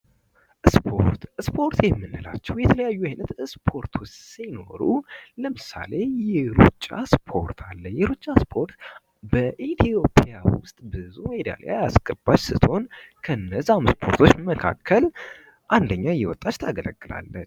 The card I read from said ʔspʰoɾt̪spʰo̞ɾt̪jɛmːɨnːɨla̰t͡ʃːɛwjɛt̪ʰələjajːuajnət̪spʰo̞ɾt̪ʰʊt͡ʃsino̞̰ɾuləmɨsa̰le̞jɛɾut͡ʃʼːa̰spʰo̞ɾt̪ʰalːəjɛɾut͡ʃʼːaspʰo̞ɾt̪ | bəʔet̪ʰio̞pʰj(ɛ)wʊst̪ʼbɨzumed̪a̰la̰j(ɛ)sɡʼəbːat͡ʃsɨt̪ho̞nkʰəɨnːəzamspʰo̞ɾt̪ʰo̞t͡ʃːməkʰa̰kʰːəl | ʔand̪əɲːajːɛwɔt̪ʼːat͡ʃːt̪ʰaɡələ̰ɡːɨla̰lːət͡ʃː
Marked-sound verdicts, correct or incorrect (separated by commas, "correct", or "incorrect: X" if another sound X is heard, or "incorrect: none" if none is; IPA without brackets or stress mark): incorrect: a, incorrect: a